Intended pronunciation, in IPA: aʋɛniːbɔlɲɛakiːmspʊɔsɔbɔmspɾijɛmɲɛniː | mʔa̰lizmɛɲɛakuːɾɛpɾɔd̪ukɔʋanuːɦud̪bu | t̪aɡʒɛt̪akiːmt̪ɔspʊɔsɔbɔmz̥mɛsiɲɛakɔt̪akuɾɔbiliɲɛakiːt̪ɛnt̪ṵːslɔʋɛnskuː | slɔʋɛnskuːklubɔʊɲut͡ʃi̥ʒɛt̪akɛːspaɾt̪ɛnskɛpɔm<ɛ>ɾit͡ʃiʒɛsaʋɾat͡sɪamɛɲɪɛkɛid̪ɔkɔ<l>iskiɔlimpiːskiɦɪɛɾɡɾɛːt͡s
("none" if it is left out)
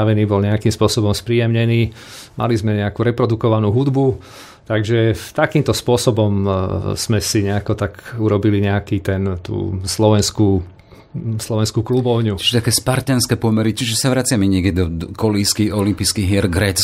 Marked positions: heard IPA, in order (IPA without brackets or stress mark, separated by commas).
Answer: ɛ, l